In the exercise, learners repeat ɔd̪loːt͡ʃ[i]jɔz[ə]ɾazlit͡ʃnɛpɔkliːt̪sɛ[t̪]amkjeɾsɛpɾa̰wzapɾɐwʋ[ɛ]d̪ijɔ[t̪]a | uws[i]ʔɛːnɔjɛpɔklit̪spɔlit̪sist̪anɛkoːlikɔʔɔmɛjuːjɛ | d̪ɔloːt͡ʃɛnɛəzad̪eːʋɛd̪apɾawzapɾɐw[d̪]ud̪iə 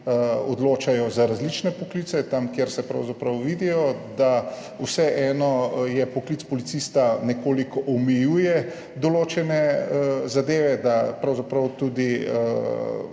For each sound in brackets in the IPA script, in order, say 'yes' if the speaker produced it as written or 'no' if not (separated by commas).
no, no, yes, no, no, no, no